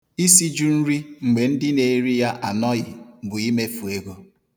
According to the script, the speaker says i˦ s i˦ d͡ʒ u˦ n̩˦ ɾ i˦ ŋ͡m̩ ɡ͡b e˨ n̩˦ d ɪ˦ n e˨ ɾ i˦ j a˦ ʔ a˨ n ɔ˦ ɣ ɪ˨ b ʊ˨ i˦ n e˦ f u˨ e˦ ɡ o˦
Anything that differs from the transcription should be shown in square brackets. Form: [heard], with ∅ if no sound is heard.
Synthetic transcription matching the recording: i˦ s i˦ d͡ʒ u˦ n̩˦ ɾ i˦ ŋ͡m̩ ɡ͡b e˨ n̩˦ d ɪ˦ n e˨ ɾ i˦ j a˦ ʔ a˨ n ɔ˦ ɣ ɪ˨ b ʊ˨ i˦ [m] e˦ f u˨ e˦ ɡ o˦